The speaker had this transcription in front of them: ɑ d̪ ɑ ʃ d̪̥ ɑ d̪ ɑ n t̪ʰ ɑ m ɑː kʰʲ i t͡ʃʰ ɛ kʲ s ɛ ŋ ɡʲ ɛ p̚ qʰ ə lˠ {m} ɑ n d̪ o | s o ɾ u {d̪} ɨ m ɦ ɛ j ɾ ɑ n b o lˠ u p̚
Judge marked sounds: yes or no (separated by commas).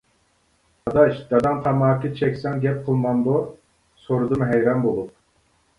yes, yes